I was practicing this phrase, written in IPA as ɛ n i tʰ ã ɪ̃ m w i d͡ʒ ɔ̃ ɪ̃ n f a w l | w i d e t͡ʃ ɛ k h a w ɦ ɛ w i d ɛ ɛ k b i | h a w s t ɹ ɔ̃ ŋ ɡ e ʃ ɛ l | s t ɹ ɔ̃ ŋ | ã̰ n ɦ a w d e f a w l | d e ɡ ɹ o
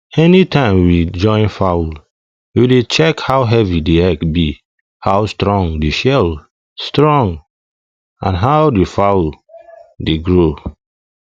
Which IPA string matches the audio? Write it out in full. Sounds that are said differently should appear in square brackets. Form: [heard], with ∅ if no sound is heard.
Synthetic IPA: ɛ n i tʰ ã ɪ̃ m w i d͡ʒ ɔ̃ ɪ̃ n f a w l | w i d e t͡ʃ ɛ k h a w ɦ ɛ [v] i d [e] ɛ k b i | h a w s t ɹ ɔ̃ ŋ [d] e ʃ ɛ l | s t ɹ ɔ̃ ŋ | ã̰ n ɦ a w d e f a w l | d e ɡ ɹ o